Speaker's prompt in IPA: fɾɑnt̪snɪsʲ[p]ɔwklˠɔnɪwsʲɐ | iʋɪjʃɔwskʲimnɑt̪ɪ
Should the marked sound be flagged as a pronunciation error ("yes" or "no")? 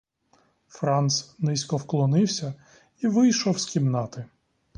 yes